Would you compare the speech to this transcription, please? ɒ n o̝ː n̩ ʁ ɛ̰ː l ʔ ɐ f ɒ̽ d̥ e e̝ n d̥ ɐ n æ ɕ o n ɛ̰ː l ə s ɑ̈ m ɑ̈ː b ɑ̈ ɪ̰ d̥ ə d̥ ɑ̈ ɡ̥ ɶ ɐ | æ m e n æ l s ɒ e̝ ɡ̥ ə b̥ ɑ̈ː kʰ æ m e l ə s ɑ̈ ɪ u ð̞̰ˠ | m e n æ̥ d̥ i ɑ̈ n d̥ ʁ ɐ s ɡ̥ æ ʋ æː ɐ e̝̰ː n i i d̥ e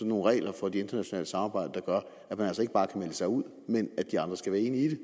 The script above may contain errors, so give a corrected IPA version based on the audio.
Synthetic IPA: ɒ n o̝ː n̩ ʁ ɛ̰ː l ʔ ɐ f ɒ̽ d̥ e e̝ n d̥ ɐ n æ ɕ o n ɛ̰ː l ə s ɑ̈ m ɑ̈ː b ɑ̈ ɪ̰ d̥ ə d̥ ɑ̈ ɡ̥ ɶ ɐ | æ m æ n æ l s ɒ e̝ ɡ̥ ə b̥ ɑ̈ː kʰ æ m e l ə s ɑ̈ ɪ u ð̞̰ˠ | m e n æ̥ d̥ i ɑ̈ n d̥ ʁ ɐ s ɡ̥ æ ʋ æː ɐ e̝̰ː n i i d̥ e

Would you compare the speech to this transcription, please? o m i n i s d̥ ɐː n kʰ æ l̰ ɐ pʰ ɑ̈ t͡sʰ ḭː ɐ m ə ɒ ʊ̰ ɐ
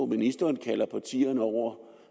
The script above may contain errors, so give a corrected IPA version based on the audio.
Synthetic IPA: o m i n i s d̥ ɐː n kʰ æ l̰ ɐ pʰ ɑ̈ t͡sʰ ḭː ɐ n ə ɒ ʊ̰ ɐ

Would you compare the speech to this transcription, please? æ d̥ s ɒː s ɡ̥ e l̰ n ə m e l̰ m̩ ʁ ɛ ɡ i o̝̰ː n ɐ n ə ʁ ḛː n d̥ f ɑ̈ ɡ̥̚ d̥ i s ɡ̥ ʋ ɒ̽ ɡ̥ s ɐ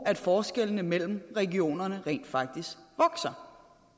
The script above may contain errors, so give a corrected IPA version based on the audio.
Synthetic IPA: æ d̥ f ɒː s ɡ̥ e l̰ n ə m e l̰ m̩ ʁ ɛ ɡ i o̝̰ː n ɐ n ə ʁ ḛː n d̥ f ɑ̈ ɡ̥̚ d̥ i s ɡ̥ ʋ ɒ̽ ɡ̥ s ɐ

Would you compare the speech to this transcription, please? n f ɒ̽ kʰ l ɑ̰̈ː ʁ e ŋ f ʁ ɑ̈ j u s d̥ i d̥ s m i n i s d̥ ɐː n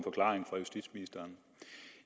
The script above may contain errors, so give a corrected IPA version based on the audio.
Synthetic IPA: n f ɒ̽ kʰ l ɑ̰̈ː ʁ e ŋ f ʁ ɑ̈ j u s d̥ i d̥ s m i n i s d̥ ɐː n

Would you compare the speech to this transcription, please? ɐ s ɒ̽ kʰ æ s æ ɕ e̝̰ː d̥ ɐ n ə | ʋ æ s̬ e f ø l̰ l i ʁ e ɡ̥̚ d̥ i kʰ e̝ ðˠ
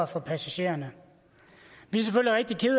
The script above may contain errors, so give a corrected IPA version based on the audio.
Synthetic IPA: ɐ f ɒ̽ pʰ æ s æ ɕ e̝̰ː ɐ n ə | ʋ i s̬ e f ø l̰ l i ʁ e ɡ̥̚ d̥ i kʰ e̝ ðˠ

